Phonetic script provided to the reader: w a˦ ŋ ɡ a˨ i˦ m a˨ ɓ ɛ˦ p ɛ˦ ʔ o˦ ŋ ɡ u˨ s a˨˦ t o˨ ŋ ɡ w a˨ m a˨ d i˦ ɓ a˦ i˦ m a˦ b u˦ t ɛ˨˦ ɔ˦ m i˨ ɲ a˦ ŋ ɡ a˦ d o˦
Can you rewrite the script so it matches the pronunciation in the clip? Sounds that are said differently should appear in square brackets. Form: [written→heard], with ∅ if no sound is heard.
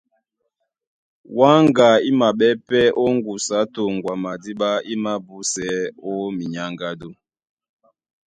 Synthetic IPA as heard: w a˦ ŋ ɡ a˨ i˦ m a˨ ɓ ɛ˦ p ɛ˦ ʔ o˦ ŋ ɡ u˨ s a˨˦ t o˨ ŋ ɡ w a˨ m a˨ d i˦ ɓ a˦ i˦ m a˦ b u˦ [t→s] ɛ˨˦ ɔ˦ m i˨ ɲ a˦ ŋ ɡ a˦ d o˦